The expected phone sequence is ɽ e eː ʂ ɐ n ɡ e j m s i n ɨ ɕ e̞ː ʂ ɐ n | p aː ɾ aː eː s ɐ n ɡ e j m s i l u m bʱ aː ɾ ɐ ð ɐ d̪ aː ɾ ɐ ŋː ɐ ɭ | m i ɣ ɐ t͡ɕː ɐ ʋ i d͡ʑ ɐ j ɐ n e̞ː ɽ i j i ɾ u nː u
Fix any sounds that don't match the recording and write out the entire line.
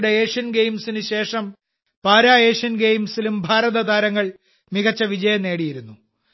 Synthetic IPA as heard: ɽ e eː ʂ ɐ n ɡ e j m s i n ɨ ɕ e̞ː ʂ ɐ m | p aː ɾ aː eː ʂ ɐ n ɡ e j m s i l u m bʱ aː ɾ ɐ ð ɐ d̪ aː ɾ ɐ ŋː ɐ ɭ | m i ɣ ɐ t͡ɕː ɐ ʋ i d͡ʑ ɐ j ɐ n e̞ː ɽ i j i ɾ u nː u